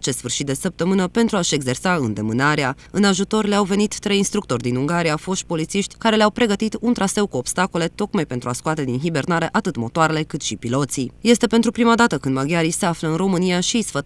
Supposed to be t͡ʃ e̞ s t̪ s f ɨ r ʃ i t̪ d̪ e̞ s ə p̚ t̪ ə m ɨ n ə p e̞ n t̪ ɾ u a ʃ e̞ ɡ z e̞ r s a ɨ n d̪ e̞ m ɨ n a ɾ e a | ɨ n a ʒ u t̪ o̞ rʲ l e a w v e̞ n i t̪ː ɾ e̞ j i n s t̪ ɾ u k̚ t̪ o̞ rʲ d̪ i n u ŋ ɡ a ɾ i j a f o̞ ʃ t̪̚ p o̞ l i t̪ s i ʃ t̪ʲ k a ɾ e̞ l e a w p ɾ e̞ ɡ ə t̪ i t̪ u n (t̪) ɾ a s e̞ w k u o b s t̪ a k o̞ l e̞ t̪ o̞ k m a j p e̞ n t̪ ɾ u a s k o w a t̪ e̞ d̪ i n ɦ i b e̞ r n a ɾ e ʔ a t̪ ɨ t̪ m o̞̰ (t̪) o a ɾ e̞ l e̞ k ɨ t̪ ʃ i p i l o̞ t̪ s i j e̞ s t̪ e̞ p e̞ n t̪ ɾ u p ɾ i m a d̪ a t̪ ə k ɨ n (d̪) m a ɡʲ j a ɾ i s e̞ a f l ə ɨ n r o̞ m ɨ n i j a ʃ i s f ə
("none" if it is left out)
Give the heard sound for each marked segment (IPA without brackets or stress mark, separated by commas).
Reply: t̪, t̪, d̪